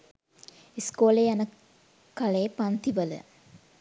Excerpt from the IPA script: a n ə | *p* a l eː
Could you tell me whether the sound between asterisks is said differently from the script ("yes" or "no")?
yes